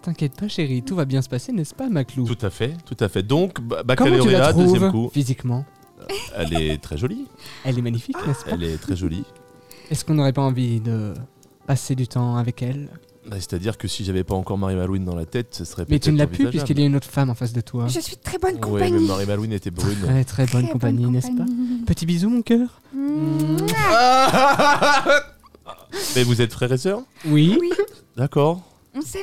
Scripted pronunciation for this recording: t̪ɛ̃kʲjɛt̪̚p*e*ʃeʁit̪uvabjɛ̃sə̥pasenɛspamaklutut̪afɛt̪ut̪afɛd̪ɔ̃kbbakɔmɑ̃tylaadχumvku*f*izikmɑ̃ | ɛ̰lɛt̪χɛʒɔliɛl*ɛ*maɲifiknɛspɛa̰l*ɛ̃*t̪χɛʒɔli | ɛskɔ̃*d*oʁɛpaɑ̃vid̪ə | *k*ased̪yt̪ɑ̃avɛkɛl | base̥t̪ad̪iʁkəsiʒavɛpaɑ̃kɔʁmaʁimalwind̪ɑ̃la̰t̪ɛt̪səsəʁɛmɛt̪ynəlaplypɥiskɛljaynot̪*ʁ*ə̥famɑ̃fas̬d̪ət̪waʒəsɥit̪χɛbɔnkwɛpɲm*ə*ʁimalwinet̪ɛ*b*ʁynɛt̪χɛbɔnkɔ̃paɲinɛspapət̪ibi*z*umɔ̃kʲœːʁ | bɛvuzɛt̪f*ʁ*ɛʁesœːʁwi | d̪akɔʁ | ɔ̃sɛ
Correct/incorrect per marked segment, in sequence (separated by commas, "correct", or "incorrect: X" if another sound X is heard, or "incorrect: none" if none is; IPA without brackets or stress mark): incorrect: a, correct, correct, incorrect: ɛ, incorrect: n, incorrect: p, incorrect: χ, incorrect: a, correct, correct, incorrect: χ